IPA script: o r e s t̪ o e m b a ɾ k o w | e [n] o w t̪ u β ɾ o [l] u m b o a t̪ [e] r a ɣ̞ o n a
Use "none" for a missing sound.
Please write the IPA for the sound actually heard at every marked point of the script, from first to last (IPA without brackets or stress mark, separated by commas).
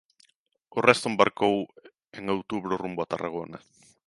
ŋ, r, a